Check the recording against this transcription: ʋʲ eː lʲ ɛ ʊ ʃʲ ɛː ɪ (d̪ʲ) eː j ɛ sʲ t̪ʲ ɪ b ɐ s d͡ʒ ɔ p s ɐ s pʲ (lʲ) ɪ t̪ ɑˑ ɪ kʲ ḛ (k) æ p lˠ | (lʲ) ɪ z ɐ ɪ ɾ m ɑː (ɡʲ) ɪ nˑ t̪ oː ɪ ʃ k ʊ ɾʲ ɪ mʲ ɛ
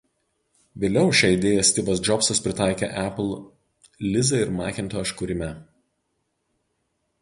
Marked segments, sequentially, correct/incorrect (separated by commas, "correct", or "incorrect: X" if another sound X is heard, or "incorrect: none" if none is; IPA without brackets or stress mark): correct, incorrect: ɾʲ, incorrect: ʔ, correct, incorrect: kʲ